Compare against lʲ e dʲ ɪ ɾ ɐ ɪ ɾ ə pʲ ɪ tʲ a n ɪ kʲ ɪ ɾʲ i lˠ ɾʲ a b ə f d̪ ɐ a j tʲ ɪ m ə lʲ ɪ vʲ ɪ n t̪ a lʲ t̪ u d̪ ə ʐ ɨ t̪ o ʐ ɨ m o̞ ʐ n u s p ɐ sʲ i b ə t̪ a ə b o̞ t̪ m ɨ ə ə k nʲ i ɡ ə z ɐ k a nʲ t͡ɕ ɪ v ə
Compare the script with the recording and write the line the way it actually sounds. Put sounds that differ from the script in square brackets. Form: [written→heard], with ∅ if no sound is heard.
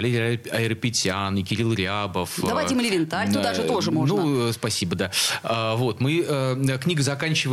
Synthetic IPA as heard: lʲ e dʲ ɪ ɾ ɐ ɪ ɾ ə pʲ ɪ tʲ a n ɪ kʲ ɪ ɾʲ i lˠ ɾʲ a b ə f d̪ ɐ a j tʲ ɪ m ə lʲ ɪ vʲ ɪ n t̪ a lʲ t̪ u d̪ [ə→a] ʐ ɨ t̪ o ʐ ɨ m o̞ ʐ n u s p ɐ sʲ i b ə [t̪→d̪] a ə [b→v] o̞ t̪ m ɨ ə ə k nʲ i ɡ ə z ɐ k a nʲ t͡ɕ ɪ v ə